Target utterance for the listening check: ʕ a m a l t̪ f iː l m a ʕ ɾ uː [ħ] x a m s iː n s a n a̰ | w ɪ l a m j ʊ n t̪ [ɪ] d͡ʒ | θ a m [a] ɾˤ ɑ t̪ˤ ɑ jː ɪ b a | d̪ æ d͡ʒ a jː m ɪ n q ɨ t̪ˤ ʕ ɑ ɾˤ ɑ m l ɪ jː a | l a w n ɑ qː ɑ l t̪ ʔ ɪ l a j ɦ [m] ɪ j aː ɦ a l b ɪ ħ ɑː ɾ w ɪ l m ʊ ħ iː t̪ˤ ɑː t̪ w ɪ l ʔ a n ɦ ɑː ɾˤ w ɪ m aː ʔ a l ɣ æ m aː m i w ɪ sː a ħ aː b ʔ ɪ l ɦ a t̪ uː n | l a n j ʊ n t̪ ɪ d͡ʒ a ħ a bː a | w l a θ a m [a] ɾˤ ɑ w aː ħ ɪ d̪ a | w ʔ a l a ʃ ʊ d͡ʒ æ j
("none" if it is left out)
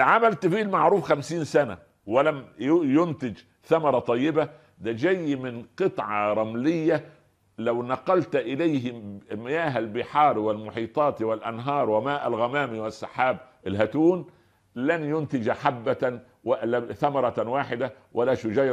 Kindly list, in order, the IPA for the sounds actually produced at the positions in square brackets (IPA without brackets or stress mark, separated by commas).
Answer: f, ɪ, ɑ, m, ɑ